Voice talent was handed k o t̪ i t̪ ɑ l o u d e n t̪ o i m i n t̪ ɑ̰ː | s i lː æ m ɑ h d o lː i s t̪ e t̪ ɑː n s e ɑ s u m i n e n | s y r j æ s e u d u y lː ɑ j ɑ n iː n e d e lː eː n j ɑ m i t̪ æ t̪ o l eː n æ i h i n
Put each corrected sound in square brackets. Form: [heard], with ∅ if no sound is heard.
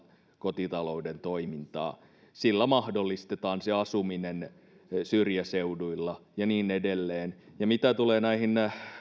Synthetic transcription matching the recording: k o t̪ i t̪ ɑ l o u d e n t̪ o i m i n t̪ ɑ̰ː | s i lː æ m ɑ h d o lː i s t̪ e t̪ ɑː n s e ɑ s u m i n e n | s y r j æ s e u d u [i] lː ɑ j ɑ n iː n e d e lː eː n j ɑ m i t̪ æ t̪ [u] l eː n æ i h i n